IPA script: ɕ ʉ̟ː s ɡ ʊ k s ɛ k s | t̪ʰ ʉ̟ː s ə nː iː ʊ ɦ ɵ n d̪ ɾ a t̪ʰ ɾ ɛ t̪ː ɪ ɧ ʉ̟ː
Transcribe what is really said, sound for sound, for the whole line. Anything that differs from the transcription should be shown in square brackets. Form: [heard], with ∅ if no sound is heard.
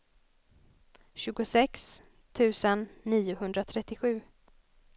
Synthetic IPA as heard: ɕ ʉ̟ː [∅] ɡ ʊ [∅] s ɛ k s | t̪ʰ ʉ̟ː s ə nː iː ʊ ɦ ɵ n d̪ ɾ a t̪ʰ ɾ ɛ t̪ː ɪ ɧ ʉ̟ː